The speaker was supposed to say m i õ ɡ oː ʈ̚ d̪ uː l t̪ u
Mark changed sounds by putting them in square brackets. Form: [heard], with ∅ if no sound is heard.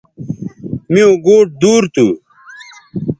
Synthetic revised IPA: m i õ ɡ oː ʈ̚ d̪ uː [ɾ] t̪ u